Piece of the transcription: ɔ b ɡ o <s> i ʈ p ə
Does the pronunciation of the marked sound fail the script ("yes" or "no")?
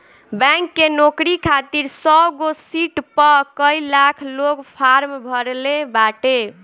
no